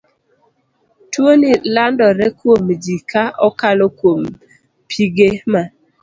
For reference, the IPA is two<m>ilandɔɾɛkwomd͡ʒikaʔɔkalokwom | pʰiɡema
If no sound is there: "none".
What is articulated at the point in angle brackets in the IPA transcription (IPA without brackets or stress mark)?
n